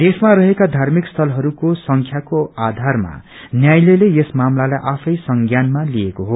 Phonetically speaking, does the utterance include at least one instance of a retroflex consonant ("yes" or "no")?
no